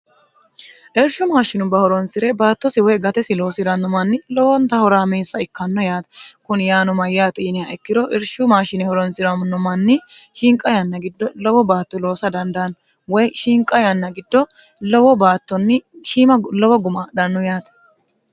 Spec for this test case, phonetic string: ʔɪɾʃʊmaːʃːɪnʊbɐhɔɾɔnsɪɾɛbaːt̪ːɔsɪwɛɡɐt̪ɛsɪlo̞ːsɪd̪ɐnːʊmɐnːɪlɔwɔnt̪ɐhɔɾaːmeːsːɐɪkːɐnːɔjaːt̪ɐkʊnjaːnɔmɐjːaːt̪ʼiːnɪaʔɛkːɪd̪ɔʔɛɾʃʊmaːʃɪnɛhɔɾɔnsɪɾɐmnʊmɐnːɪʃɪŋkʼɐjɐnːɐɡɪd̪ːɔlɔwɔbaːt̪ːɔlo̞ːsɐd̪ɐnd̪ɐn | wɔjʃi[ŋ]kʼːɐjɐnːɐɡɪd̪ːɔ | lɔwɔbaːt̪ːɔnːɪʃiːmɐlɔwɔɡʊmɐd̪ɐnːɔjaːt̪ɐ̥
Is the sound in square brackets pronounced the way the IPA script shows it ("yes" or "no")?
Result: yes